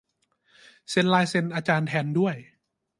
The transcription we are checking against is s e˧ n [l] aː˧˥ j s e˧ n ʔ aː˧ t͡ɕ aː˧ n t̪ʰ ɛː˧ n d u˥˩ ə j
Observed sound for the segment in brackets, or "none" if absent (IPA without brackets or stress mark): l